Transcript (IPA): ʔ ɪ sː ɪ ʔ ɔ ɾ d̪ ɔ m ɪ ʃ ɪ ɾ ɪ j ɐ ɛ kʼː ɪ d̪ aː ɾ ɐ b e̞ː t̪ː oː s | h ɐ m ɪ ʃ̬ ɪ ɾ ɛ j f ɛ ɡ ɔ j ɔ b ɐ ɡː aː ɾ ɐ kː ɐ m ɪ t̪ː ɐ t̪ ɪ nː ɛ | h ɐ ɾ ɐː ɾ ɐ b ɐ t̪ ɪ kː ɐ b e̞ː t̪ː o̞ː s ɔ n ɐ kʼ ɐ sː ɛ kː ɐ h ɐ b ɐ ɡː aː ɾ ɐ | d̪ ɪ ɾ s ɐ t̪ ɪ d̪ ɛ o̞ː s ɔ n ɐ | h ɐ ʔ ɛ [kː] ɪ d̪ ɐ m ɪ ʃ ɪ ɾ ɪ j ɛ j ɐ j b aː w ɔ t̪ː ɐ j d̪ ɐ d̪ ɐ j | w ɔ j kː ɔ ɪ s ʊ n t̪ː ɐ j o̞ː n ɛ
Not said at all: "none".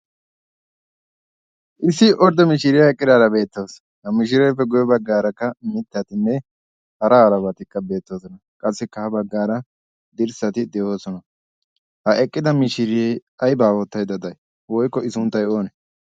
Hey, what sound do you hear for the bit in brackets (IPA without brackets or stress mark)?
kʼː